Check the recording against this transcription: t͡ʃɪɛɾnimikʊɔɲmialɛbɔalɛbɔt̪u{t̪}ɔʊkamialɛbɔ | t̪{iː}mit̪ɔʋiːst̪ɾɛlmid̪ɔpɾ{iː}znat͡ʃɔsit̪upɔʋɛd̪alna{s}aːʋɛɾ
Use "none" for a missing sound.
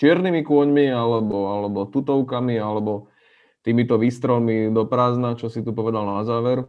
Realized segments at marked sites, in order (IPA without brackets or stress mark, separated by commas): t̪, iː, aː, z